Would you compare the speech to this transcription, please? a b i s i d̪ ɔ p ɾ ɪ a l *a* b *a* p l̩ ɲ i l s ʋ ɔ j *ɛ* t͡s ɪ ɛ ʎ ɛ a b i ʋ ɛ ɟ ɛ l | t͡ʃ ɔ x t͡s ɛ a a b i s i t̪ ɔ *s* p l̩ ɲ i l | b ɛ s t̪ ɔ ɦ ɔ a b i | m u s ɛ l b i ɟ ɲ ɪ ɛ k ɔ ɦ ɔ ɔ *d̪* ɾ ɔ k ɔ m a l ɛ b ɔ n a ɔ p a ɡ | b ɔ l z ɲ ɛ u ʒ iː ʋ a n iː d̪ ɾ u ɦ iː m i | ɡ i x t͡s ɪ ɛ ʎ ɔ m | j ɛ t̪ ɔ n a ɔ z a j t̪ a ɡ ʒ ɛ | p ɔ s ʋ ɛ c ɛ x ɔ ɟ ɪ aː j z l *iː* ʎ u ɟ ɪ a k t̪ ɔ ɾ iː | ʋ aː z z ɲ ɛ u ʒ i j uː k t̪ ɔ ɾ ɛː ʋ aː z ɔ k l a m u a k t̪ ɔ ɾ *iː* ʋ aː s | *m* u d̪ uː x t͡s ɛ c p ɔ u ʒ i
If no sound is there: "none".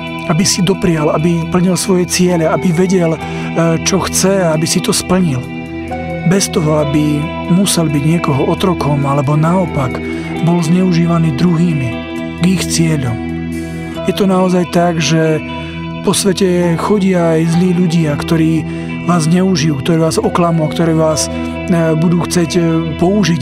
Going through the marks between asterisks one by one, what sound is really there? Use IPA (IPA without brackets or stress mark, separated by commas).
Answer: a, i, ɛ, s, t̪, iː, ɛː, b